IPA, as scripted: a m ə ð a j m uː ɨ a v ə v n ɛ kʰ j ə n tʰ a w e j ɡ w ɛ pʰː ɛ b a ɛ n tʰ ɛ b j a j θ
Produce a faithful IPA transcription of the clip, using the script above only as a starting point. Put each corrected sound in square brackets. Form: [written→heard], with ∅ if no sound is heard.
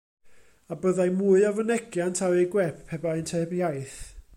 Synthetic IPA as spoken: a [m→b] ə ð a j m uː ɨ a v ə [v→∅] n ɛ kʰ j [ə→a] n tʰ a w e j ɡ w ɛ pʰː ɛ b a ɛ n tʰ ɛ b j a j θ